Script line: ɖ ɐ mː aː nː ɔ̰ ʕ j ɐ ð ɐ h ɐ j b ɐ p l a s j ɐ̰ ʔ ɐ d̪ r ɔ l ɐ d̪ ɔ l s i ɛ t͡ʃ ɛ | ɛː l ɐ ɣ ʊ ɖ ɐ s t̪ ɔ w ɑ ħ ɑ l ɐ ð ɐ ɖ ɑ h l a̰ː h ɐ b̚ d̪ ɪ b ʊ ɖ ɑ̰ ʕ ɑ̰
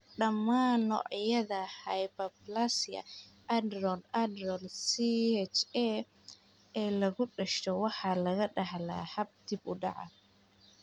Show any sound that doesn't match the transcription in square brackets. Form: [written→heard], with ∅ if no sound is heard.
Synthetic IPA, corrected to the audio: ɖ ɐ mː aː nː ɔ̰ ʕ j ɐ ð ɐ h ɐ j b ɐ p l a s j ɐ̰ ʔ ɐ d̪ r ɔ l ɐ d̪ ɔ l s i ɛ t͡ʃ ɛ | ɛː l ɐ ɣ ʊ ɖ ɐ [s→ʃ] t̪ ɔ w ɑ ħ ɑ l ɐ [ð→ɣ] ɐ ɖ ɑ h l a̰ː h ɐ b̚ d̪ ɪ b ʊ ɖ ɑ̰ ʕ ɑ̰